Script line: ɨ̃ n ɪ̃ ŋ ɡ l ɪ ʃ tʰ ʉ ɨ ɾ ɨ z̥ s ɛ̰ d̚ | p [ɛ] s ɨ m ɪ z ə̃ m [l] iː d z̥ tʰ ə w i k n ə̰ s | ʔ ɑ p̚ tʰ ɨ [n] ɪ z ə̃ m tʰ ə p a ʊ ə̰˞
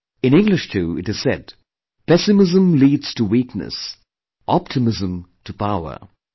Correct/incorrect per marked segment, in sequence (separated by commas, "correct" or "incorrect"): correct, correct, incorrect